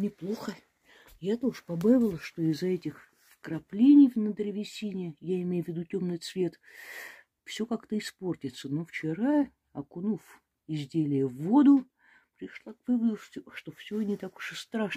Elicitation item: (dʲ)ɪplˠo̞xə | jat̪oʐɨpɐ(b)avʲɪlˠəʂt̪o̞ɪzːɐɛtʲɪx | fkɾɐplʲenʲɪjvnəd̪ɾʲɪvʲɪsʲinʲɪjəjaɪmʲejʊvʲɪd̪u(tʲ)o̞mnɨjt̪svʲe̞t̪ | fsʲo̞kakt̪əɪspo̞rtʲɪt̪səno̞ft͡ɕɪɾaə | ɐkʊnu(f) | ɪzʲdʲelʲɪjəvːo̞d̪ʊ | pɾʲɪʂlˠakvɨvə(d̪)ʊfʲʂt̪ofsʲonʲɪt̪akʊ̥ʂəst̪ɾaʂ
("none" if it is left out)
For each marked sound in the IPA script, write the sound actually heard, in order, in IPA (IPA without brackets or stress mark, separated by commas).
nʲ, b, tʲ, f, d̪